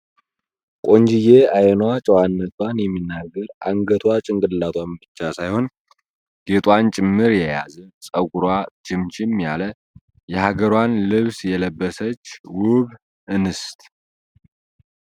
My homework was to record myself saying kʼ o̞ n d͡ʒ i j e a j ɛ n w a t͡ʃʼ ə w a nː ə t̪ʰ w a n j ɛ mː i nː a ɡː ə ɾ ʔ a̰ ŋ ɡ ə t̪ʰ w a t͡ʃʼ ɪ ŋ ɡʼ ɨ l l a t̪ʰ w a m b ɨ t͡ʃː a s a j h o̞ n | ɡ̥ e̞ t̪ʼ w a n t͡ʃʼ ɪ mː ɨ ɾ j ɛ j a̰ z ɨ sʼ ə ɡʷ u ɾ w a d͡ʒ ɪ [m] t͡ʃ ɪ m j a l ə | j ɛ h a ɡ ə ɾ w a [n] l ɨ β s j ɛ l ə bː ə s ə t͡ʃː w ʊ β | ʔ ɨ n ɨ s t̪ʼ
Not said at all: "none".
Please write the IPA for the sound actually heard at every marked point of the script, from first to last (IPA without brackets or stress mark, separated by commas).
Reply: m, n